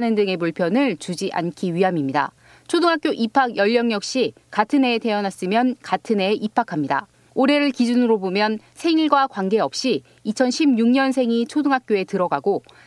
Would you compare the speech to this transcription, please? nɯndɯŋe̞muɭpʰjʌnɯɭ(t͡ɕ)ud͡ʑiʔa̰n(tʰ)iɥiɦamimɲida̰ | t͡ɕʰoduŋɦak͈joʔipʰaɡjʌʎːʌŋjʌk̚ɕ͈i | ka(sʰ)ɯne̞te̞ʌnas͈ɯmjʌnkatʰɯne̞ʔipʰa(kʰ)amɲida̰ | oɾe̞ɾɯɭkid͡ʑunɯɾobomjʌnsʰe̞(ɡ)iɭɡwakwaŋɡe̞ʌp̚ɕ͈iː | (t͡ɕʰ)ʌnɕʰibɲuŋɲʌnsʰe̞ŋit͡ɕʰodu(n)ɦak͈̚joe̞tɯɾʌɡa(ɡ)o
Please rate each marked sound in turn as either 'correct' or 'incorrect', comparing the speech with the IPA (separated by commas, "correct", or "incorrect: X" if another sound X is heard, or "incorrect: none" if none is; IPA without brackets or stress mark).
correct, incorrect: kʰ, incorrect: tʰ, correct, incorrect: ŋ, correct, incorrect: ŋ, correct